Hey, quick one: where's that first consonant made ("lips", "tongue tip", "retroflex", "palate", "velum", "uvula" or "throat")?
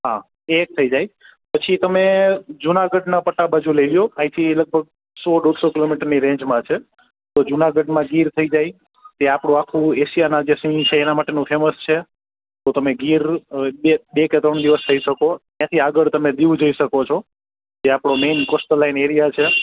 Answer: throat